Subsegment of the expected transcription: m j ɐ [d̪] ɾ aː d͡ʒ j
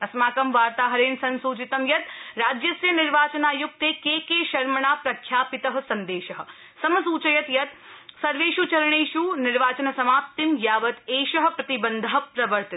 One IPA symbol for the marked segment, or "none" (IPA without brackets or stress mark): t̪